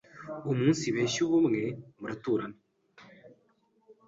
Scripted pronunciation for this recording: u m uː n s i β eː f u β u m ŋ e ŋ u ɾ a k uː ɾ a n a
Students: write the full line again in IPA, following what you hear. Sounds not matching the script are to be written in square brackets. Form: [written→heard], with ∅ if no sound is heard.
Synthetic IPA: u m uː n s i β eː [f→ʃ] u β u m ŋ e [ŋ→m] u ɾ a [k→t] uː ɾ a n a